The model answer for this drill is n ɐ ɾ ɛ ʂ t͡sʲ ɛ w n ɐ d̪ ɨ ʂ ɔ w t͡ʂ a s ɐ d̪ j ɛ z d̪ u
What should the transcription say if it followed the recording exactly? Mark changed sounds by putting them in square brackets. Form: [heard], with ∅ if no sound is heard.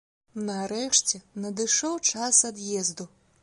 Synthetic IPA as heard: n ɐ ɾ ɛ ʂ t͡sʲ ɛ [∅] n ɐ d̪ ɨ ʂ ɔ w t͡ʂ a s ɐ d̪ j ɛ z d̪ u